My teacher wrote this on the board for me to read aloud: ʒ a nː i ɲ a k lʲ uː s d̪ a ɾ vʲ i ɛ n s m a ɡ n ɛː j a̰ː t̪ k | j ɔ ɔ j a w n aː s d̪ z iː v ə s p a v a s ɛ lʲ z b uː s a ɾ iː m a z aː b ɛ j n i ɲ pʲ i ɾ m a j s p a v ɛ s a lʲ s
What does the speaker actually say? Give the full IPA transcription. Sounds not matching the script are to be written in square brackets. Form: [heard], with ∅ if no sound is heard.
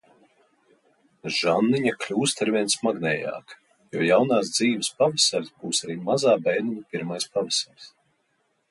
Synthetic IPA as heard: ʒ a nː i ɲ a k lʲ uː s [t̪] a ɾ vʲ i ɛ n s m a ɡ n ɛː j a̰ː [∅] k | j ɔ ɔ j a w n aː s d̪ z iː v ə s p a v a s [a] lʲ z b uː s a ɾ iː m a z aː b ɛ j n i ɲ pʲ i ɾ m a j s p a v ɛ s a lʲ s

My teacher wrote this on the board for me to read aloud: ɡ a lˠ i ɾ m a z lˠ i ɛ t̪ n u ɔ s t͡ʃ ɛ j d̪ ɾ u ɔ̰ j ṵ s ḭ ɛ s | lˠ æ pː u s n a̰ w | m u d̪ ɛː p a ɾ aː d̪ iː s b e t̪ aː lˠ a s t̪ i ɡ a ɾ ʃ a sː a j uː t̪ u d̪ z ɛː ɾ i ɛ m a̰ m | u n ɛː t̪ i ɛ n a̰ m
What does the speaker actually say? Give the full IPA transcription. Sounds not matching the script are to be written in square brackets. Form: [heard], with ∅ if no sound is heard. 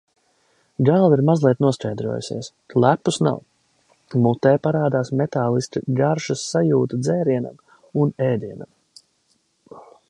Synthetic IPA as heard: ɡ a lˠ i ɾ m a z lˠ i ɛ t̪ n u ɔ s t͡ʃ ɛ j d̪ ɾ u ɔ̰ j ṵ s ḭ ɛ s | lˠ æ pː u s n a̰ w | m u [t̪] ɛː p a ɾ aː d̪ [aː] s [m] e t̪ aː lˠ [i] s t̪ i ɡ a ɾ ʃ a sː a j uː t̪ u d̪ z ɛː ɾ i ɛ [n] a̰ m | u n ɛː [d̪] i ɛ n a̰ m

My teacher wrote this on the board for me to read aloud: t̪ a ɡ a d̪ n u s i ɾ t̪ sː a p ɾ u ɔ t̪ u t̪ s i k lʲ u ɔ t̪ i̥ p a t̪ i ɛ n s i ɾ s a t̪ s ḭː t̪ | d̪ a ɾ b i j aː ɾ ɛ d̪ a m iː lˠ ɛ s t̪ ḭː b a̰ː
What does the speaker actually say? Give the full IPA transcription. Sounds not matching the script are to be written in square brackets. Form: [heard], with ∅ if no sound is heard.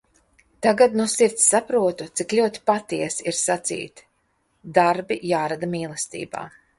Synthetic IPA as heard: t̪ a ɡ a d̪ n u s i ɾ t̪ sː a p ɾ u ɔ t̪ u t̪ s i k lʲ u ɔ t̪ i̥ p a t̪ i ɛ [∅] s i ɾ s a t̪ s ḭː t̪ | d̪ a ɾ b i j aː ɾ [a] d̪ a m iː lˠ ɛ s t̪ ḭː b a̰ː

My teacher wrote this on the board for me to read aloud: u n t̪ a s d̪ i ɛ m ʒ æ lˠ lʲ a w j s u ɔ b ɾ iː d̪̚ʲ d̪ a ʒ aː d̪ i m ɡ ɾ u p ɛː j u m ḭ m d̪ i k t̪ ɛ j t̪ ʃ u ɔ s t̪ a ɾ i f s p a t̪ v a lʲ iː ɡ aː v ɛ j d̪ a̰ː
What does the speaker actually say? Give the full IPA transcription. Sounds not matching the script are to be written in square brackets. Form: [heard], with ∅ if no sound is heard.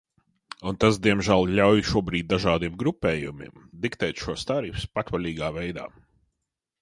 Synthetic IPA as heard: u n t̪ a s d̪ i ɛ m ʒ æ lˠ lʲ a w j [ʃ] u ɔ b ɾ iː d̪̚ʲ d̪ a ʒ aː d̪ i m ɡ ɾ u p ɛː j u m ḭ m d̪ i k t̪ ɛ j t̪ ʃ u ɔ s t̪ a ɾ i f s p a t̪ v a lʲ iː ɡ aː v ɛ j d̪ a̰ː

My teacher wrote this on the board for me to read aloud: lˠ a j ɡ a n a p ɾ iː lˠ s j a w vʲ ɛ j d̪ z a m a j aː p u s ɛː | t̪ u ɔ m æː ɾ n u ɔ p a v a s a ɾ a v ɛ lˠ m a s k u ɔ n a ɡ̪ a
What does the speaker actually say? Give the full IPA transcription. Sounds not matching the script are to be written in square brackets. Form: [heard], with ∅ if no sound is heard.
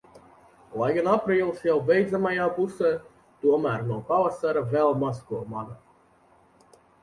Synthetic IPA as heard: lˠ a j ɡ a n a p ɾ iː lˠ s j a w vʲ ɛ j d̪ z a m a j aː p u s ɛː | t̪ u ɔ m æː ɾ n u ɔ p a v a s a ɾ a v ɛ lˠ m a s k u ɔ [m] a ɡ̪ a

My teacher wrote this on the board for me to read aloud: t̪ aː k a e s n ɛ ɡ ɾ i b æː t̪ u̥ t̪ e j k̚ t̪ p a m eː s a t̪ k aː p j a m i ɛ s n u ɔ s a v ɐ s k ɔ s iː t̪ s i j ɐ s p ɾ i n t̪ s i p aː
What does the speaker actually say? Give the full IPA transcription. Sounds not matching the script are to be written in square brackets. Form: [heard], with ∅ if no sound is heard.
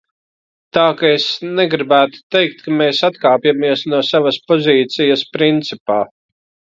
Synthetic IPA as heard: t̪ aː k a e s n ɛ ɡ ɾ i b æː t̪ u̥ t̪ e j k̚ t̪ [k] a m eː s a t̪ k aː p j a m i ɛ s n u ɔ s a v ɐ s [p] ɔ [z] iː t̪ s i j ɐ s p ɾ i n t̪ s i p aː

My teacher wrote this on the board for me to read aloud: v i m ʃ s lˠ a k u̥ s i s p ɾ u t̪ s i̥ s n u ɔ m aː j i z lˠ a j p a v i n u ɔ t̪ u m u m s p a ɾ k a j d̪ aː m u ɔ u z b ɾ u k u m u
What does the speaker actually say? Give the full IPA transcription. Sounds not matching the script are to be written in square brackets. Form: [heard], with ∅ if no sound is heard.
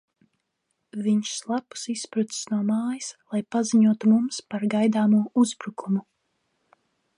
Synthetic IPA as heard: v i [ɲ] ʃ s lˠ a [p] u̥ s i s p ɾ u t̪ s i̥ s n u ɔ m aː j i [s] lˠ a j p a [z] i [ɲ] u ɔ t̪ u m u m s p a ɾ [ɡ] a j d̪ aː m u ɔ u z b ɾ u k u m u

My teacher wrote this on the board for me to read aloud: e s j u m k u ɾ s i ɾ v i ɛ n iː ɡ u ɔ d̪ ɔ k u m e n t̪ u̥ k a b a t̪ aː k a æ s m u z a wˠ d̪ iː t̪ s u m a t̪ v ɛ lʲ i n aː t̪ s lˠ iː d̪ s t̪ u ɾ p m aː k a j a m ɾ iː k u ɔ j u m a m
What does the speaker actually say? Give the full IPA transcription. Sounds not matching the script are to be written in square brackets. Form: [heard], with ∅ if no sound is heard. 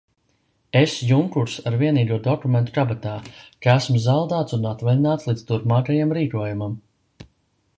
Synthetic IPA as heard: e s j u [ŋ] k u ɾ s [a] ɾ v i ɛ n iː ɡ u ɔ d̪ ɔ k u m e n t̪ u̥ k a b a t̪ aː k a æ s m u z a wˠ d̪ [aː] t̪ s u [n] a t̪ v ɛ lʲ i n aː t̪ s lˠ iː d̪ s t̪ u ɾ p m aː k a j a m ɾ iː k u ɔ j u m a m

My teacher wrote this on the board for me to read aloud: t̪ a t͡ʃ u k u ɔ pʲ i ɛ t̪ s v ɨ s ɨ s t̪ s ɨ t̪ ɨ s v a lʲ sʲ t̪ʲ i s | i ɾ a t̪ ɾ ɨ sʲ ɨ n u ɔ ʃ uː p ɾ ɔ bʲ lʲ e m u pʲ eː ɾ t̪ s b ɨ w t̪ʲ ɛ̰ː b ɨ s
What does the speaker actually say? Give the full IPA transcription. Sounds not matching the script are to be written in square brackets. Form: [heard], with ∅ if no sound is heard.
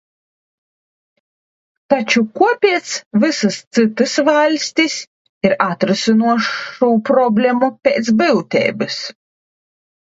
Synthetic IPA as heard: t̪ a t͡ʃ u k u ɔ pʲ i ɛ t̪ s v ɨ s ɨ s t̪ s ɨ t̪ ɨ s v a lʲ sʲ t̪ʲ i s | i ɾ a t̪ ɾ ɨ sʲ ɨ n u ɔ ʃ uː p ɾ ɔ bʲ lʲ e m u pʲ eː [∅] t̪ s b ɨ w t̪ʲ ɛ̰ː b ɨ s

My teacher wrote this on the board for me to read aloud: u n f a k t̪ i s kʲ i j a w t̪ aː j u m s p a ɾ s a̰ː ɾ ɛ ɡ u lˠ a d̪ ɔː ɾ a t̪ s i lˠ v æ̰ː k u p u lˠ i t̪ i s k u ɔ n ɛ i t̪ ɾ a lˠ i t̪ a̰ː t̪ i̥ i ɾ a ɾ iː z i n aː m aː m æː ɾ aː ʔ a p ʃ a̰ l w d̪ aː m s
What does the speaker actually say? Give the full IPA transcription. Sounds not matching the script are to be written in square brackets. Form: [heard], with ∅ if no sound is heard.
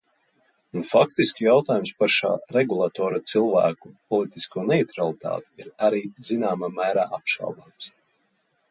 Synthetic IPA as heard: u n f a k t̪ i s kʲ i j a w t̪ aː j u m s p a ɾ [ʃ] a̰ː ɾ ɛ ɡ u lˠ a [t̪] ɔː ɾ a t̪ s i lˠ v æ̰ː k u p [ɔ] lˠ i t̪ i s k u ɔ n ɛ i t̪ ɾ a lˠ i t̪ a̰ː t̪ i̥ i ɾ a ɾ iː z i n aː m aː m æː ɾ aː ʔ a p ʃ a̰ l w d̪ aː m s

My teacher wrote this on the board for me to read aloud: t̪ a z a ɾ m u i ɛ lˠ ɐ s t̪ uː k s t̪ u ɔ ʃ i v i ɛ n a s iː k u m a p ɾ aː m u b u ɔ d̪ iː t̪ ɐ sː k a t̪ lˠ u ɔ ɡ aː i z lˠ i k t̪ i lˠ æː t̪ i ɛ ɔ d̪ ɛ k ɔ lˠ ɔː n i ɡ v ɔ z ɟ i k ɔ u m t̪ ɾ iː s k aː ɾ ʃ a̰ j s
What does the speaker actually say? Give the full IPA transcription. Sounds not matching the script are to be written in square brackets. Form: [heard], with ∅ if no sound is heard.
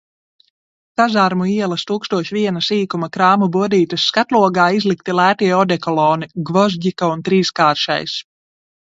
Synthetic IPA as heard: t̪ a z a ɾ m u i ɛ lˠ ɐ s t̪ uː k s t̪ u ɔ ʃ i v i ɛ n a s iː k u m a [k] ɾ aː m u b u ɔ d̪ iː t̪ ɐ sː k a t̪ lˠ u ɔ ɡ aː i z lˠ i k t̪ i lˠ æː t̪ i ɛ ɔ d̪ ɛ k ɔ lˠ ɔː n i ɡ v ɔ z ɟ i k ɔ u [n] t̪ ɾ iː s k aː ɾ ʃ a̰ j s

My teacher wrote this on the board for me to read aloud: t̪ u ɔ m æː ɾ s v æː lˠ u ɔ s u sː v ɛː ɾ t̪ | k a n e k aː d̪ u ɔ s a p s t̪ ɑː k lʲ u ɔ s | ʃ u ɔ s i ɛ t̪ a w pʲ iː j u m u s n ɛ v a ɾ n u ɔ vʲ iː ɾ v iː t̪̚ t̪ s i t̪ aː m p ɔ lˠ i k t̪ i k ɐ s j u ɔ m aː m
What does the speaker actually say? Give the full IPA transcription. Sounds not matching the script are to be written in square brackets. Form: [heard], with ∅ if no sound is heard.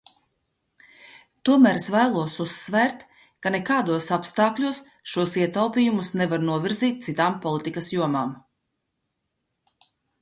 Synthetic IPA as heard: t̪ u ɔ m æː ɾ s v æː lˠ u ɔ s u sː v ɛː ɾ t̪ | k a n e k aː d̪ u ɔ s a p s t̪ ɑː k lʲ u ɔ s | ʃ u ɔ s i ɛ t̪ a w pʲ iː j u m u s n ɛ v a ɾ n u ɔ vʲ [i] ɾ [z] iː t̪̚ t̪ s i t̪ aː m p ɔ lˠ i [∅] t̪ i k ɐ s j u ɔ m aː m

